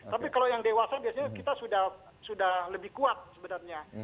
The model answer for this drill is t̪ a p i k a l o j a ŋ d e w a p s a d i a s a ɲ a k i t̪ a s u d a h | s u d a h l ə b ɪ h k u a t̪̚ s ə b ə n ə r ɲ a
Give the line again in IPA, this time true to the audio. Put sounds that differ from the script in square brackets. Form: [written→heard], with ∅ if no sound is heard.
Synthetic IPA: t̪ a p i k a l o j a ŋ d e w a [p→∅] s a [d→b] i a s a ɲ a k i t̪ a s u d a h | s u d a h l ə b ɪ h k u a t̪̚ s ə b ə n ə r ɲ a